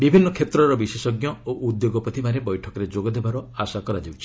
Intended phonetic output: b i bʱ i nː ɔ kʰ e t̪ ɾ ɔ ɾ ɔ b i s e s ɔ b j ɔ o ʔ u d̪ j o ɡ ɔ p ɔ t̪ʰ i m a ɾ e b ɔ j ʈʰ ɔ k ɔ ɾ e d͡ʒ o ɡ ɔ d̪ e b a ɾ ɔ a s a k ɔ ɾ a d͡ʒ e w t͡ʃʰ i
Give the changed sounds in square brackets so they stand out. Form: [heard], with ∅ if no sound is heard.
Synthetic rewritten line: b i bʱ i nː ɔ kʰ e t̪ ɾ ɔ ɾ ɔ b i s e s ɔ [ɡ] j ɔ o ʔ u d̪ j o ɡ ɔ p ɔ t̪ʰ i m a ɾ e b ɔ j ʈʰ ɔ k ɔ ɾ e d͡ʒ o ɡ ɔ d̪ e b a ɾ ɔ a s a k ɔ ɾ a d͡ʒ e w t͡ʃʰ i